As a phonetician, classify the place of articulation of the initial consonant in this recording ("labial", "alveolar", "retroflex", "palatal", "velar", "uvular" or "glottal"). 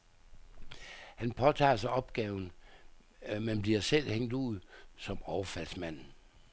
glottal